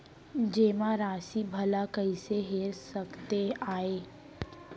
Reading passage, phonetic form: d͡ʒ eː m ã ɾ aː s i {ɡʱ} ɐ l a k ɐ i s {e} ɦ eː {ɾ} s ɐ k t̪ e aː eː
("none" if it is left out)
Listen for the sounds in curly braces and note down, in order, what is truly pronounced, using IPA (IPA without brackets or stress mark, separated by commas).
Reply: bʱ, e, ɾ